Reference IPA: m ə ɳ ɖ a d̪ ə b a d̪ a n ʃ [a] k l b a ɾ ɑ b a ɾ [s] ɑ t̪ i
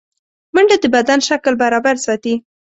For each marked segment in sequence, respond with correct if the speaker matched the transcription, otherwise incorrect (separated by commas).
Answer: correct, correct